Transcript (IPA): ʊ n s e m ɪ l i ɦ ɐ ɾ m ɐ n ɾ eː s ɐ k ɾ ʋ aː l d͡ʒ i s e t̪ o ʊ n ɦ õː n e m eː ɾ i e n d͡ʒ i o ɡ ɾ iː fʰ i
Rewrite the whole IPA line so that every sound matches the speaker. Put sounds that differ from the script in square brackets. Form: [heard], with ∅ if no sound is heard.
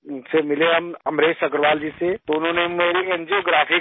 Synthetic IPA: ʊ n s e m ɪ l [e] ɦ ɐ [∅] m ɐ [m] ɾ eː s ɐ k ɾ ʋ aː l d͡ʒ i s e t̪ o ʊ n ɦ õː n e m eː ɾ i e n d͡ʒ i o ɡ ɾ [aː] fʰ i